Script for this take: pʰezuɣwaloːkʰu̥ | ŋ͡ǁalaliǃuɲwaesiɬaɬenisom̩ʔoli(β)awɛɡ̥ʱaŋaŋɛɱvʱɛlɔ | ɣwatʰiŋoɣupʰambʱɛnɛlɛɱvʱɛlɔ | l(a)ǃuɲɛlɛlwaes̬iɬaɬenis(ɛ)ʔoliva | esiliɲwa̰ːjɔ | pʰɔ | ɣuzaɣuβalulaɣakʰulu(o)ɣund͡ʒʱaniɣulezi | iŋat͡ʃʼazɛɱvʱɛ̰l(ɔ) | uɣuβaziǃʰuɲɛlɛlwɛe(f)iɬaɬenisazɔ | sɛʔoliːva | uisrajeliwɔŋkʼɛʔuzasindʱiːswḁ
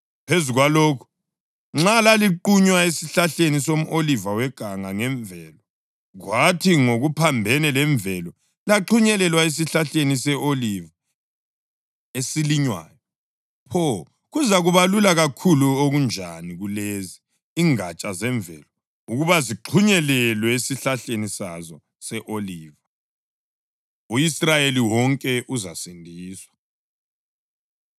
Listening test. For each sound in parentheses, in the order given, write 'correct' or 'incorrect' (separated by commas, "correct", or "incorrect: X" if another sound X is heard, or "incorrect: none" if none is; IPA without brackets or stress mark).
incorrect: v, correct, correct, correct, correct, incorrect: s